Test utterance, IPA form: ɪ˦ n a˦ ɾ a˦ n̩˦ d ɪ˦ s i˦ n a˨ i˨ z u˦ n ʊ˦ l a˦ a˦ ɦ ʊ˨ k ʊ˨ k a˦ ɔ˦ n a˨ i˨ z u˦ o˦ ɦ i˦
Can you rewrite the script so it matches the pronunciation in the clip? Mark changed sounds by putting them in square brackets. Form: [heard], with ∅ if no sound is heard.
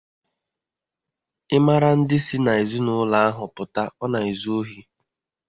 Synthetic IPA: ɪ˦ [m] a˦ ɾ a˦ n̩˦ d ɪ˦ s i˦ n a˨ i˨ z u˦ n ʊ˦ l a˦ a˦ ɦ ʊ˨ [p] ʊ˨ [t] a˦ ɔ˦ n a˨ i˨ z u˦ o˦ ɦ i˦